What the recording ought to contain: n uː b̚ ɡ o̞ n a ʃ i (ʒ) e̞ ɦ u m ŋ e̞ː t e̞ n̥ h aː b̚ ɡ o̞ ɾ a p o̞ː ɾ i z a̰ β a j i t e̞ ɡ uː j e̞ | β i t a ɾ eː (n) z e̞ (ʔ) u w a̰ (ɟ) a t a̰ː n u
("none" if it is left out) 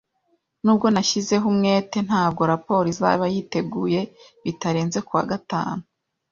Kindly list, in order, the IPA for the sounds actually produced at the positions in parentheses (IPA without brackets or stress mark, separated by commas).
z, n, k, ɡ